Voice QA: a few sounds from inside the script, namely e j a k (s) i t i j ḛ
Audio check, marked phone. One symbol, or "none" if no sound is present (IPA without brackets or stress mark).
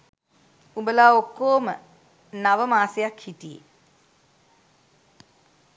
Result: h